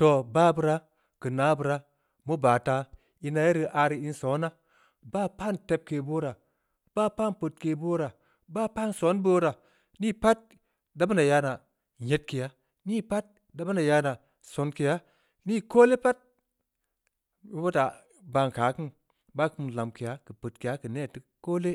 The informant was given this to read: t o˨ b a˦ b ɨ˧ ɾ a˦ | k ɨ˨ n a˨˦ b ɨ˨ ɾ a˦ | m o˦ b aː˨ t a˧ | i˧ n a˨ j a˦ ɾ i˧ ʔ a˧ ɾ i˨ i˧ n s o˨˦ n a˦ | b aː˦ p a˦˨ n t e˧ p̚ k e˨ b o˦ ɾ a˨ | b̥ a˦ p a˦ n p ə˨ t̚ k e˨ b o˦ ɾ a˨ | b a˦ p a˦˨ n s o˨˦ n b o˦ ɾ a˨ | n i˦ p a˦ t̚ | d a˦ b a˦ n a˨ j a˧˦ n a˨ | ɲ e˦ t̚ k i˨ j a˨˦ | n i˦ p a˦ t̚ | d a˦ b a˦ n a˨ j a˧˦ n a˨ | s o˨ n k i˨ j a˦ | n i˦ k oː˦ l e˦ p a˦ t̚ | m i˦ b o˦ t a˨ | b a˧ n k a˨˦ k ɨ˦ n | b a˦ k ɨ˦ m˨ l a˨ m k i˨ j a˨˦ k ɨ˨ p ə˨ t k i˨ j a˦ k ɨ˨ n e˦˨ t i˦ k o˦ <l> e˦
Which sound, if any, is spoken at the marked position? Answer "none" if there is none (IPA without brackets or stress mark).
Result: l